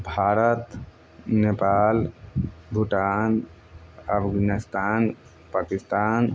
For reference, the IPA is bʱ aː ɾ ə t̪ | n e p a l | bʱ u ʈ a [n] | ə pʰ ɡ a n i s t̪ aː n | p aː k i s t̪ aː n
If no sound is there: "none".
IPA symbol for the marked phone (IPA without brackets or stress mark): n